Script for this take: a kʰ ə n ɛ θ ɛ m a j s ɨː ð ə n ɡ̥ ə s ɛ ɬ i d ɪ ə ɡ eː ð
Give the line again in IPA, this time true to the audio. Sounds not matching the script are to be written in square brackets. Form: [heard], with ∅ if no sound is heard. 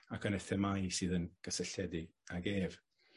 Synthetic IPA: a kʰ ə n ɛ θ ɛ m a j s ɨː ð ə n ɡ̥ ə s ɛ ɬ [ɛ] d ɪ [a] ɡ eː [v]